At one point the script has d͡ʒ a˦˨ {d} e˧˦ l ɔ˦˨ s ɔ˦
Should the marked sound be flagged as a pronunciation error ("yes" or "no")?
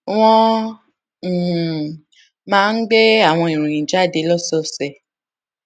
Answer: no